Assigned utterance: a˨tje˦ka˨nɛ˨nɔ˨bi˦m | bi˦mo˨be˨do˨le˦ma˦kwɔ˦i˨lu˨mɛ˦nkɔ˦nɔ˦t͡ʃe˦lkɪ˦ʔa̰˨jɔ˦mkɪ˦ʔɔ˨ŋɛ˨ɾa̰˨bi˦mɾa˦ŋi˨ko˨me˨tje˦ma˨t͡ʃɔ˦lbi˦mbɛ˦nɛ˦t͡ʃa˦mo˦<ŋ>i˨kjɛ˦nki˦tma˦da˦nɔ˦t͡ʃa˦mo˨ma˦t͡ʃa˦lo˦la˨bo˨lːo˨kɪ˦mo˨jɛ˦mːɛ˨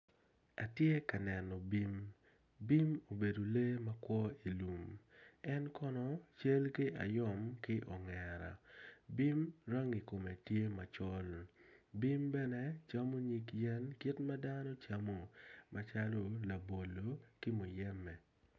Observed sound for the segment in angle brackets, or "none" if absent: ɲ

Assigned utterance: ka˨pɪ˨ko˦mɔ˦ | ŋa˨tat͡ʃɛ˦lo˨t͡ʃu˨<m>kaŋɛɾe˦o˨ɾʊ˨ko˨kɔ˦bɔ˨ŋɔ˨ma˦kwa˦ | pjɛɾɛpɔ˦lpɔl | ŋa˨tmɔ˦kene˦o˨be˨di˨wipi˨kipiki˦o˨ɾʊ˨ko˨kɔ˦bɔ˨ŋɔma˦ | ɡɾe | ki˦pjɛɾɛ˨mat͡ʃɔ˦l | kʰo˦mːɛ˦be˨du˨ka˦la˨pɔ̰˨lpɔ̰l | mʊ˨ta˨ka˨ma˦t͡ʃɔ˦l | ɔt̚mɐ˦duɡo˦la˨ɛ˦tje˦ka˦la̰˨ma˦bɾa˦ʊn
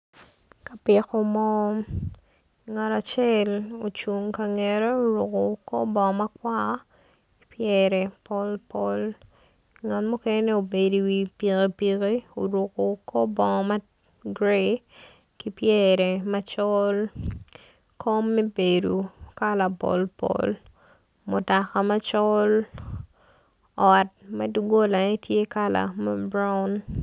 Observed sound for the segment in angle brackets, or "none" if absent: ŋ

